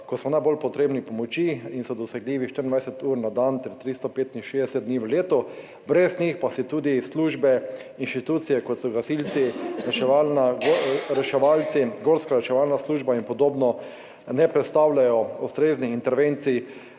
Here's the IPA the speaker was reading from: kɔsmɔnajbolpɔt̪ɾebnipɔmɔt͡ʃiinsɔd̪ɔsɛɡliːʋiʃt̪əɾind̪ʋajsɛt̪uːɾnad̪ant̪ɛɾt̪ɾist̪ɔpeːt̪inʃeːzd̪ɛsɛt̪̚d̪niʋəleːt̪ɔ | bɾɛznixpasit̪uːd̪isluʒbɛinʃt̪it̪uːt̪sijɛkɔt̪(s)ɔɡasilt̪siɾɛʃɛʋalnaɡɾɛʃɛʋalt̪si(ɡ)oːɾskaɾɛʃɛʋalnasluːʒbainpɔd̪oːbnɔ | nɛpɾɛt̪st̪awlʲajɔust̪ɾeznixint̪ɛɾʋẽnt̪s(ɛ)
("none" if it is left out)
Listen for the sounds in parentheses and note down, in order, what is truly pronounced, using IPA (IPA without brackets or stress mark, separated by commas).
s, ɡ, i